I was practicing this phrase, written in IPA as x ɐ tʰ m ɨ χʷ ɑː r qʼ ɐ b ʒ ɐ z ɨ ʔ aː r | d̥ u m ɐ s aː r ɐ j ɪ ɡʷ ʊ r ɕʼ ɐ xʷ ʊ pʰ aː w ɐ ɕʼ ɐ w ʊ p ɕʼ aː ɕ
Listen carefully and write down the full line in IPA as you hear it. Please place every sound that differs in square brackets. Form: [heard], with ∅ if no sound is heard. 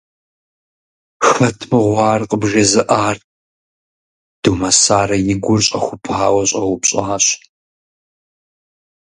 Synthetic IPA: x ɐ tʰ m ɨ [ʁʷ] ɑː r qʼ [ə] b ʒ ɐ z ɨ ʔ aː r | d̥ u m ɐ s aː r ɐ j ɪ ɡʷ ʊ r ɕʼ ɐ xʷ ʊ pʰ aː w ɐ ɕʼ ɐ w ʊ p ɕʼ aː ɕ